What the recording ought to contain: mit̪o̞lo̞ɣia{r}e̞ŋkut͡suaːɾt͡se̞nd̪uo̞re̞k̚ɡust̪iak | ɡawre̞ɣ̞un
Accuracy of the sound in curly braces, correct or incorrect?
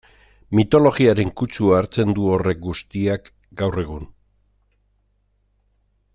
incorrect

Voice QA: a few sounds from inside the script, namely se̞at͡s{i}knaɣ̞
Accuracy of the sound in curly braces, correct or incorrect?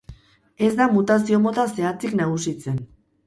correct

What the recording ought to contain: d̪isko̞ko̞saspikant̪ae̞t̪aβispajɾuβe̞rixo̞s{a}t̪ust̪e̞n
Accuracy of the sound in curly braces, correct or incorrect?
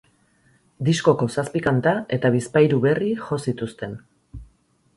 incorrect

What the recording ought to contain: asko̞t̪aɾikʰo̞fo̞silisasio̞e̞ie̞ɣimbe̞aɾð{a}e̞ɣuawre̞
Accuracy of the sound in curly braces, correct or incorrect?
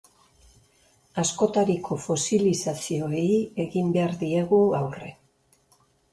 incorrect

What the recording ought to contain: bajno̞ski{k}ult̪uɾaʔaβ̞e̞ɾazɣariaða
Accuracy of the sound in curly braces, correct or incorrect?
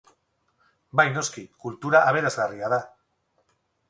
correct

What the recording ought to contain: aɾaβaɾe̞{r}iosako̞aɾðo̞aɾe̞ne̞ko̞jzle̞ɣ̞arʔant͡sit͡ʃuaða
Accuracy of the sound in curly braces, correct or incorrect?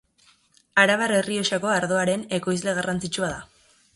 correct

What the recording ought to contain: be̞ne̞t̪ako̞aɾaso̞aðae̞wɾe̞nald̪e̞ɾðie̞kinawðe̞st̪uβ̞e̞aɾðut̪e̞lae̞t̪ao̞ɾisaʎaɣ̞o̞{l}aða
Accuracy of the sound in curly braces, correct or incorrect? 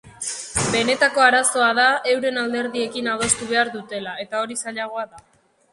incorrect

